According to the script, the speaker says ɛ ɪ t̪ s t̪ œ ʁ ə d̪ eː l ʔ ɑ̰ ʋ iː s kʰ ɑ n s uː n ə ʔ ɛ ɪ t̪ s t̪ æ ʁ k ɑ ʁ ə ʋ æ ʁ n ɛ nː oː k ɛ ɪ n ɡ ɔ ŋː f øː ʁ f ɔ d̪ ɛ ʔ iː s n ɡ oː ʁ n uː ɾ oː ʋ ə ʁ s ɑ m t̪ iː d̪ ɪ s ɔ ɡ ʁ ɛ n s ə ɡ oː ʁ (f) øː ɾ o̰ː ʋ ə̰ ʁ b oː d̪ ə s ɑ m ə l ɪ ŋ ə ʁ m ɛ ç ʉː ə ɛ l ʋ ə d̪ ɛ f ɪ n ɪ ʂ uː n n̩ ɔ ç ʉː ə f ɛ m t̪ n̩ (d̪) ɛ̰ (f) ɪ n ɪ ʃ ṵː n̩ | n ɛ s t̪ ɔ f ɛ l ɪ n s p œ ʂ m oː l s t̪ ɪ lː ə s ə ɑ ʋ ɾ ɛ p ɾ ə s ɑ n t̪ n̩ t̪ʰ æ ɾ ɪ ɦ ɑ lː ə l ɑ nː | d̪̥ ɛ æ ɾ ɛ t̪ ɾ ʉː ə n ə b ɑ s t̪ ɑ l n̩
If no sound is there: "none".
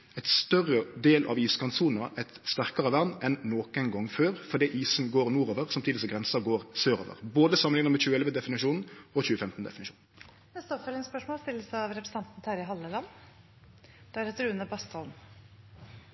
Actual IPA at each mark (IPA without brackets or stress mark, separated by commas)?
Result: s, d̪, f